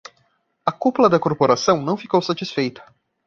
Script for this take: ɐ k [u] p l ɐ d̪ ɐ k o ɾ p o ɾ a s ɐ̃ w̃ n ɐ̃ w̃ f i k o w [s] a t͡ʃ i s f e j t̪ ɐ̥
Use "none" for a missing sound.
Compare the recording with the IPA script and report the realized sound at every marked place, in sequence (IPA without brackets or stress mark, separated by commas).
u, s